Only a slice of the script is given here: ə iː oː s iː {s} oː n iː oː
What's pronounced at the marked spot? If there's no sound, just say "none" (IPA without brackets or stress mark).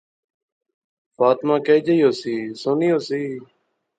s